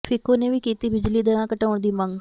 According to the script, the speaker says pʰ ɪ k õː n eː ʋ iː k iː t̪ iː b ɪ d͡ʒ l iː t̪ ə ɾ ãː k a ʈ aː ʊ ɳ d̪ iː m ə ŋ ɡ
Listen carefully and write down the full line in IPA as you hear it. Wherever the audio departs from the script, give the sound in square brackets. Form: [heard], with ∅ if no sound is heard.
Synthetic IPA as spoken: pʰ ɪ k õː n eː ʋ iː k iː t̪ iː b ɪ d͡ʒ l iː [d̪] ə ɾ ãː k [ə] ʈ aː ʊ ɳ d̪ iː m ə ŋ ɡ